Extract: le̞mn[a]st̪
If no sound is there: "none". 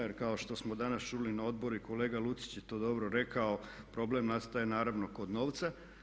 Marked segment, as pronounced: a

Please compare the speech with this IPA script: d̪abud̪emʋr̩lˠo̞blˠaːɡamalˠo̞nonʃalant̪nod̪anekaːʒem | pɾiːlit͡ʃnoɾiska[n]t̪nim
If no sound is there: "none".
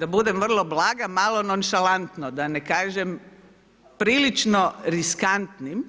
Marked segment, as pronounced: n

